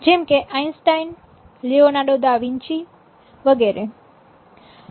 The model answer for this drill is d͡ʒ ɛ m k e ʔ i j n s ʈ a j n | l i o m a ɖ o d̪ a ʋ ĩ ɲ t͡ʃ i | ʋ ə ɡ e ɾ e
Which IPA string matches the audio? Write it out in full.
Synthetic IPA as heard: d͡ʒ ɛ m k e ʔ a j n s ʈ a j n | l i o n a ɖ o d̪ a ʋ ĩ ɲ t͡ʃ i | ʋ ə ɡ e ɾ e